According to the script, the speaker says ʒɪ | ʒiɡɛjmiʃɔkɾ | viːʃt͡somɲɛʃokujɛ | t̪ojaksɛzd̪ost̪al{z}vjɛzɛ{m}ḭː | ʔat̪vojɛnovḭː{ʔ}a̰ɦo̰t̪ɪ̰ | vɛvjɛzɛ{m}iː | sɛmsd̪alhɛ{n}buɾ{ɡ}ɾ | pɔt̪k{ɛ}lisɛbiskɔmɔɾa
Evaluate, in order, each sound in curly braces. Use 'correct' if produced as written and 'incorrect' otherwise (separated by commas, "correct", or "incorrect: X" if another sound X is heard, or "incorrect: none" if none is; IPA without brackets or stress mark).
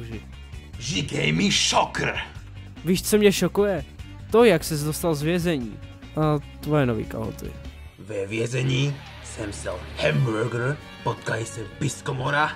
correct, incorrect: ɲ, incorrect: k, incorrect: ɲ, incorrect: m, correct, incorrect: a